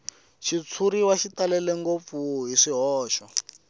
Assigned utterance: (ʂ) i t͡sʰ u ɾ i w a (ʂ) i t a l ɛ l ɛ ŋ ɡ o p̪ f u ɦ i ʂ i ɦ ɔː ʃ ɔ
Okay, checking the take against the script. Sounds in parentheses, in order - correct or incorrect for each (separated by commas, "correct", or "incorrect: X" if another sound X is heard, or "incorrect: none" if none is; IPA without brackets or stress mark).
incorrect: ʃ, incorrect: ʃ